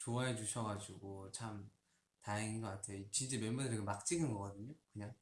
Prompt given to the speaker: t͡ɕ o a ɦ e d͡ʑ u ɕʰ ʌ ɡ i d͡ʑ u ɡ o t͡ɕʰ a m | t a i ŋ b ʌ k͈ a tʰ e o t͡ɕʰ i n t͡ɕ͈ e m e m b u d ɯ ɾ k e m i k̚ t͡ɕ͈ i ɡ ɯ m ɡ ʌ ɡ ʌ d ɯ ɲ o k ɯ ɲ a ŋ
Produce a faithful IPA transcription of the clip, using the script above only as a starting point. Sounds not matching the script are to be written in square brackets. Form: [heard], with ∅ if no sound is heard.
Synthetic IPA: t͡ɕ o a ɦ e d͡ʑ u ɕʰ ʌ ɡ [a] d͡ʑ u ɡ o t͡ɕʰ a m | t a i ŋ [ɡ] ʌ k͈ a tʰ e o [t͡ɕ] i n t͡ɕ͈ e m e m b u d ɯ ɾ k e m [a] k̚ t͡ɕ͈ i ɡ ɯ [n] ɡ ʌ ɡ ʌ d ɯ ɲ o k ɯ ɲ a ŋ